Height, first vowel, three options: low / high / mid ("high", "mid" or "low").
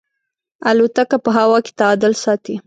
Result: low